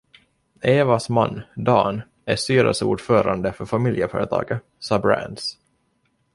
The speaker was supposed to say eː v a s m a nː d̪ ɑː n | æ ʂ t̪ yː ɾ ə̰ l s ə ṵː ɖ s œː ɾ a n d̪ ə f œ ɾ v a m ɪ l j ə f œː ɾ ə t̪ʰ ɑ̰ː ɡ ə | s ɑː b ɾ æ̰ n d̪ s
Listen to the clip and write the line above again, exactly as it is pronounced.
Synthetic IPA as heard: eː v a s m a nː d̪ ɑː n | æ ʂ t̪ yː ɾ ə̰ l s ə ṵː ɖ f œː ɾ a n d̪ ə f œ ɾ f a m ɪ l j ə f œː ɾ ə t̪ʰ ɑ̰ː ɡ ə | s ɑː b ɾ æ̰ n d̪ s